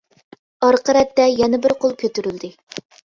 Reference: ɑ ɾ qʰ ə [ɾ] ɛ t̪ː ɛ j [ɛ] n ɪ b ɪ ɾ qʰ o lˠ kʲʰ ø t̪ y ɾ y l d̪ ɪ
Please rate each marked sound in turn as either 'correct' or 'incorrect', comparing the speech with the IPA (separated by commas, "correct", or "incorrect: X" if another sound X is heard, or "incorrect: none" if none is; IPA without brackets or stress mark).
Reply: correct, correct